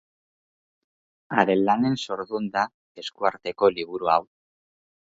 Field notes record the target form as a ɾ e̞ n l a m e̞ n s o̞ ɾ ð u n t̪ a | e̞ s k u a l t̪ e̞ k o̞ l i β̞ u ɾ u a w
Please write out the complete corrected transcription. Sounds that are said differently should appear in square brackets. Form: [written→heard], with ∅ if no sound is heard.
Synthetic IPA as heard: a ɾ e̞ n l a [m→n] e̞ n s o̞ ɾ ð u n [t̪→d̪] a | e̞ s k u a [l→ɾ] t̪ e̞ k o̞ l i β̞ u ɾ u a w